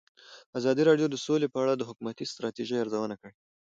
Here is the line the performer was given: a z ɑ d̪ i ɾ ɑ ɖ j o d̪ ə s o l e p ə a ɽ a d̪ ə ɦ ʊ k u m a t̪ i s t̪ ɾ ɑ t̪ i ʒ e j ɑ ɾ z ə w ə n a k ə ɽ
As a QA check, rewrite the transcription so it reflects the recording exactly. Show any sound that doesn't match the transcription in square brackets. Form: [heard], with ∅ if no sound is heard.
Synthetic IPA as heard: a z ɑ d̪ i ɾ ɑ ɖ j o d̪ ə s o l e p ə a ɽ a d̪ ə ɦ ʊ k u m a t̪ i s t̪ ɾ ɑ t̪ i ʒ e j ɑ ɾ z [a] w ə n a k ə ɽ